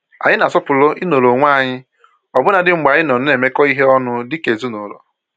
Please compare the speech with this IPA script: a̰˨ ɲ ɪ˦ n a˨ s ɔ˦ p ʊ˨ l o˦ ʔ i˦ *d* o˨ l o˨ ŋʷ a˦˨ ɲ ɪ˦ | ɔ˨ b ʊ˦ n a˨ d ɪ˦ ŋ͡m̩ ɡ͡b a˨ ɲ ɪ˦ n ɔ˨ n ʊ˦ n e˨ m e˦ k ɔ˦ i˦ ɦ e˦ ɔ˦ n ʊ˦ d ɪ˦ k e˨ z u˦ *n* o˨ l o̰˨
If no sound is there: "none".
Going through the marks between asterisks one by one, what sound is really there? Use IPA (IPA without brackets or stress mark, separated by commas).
n, n